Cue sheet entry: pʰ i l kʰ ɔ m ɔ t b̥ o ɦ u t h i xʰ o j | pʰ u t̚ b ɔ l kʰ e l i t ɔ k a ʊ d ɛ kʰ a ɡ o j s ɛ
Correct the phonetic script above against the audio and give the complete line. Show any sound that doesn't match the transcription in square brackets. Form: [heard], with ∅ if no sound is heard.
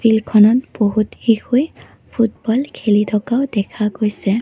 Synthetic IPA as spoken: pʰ i l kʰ ɔ [n] ɔ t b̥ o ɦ u t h i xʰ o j | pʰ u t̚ b ɔ l kʰ e l i [tʰ] ɔ k a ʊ d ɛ kʰ a ɡ o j s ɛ